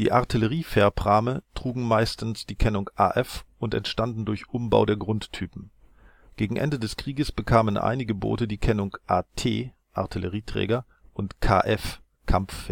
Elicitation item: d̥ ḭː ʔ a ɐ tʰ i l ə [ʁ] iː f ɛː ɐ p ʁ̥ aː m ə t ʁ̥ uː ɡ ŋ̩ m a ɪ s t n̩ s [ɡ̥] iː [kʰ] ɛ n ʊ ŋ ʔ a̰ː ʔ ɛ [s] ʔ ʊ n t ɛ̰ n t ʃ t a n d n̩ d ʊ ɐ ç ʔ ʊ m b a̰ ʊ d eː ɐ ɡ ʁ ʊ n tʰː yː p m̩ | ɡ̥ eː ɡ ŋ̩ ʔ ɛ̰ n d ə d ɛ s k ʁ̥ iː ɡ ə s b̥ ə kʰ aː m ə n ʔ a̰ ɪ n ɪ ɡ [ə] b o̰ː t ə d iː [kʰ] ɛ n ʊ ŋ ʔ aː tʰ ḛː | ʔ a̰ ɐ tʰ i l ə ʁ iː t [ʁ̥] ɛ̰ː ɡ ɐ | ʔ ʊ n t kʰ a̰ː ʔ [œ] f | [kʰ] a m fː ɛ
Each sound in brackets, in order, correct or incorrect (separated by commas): correct, incorrect, correct, incorrect, correct, correct, correct, incorrect, correct